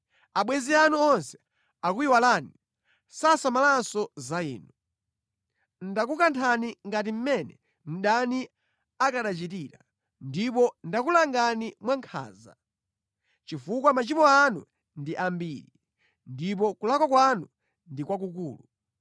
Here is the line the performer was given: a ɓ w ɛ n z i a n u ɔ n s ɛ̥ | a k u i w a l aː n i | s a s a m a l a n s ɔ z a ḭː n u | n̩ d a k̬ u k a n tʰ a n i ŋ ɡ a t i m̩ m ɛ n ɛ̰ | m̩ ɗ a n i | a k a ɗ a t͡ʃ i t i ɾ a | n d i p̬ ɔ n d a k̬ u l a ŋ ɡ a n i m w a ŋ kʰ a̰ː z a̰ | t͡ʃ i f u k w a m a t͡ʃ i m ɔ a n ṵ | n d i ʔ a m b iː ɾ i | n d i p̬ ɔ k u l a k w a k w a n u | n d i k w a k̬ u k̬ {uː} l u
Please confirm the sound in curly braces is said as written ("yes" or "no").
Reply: yes